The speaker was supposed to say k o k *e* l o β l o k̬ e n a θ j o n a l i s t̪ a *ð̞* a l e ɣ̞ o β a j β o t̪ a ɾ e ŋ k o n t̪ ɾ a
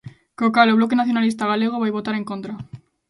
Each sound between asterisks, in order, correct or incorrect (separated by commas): incorrect, incorrect